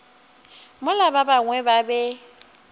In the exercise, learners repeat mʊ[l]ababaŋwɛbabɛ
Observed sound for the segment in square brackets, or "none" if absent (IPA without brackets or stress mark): l